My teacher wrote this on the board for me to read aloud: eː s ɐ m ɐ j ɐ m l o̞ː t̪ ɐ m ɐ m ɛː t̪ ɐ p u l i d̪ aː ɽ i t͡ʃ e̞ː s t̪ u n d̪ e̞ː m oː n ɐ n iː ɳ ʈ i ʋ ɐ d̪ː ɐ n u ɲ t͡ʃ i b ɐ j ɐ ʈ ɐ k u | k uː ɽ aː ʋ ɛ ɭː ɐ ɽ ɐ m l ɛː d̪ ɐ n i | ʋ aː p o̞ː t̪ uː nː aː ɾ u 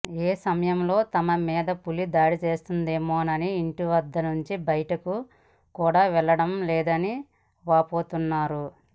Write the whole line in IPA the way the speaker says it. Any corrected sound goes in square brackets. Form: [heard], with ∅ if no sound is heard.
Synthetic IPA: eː s ɐ m ɐ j ɐ m l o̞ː t̪ ɐ m ɐ m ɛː [d̪] ɐ p u l i d̪ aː ɽ i t͡ʃ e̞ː s t̪ u n d̪ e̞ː m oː n ɐ n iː ɳ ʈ i ʋ ɐ d̪ː ɐ n u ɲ t͡ʃ i b ɐ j ɐ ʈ ɐ k u | k uː ɽ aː ʋ ɛ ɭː ɐ ɽ ɐ m l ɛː d̪ ɐ n i | ʋ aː p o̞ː t̪ [u] nː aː ɾ u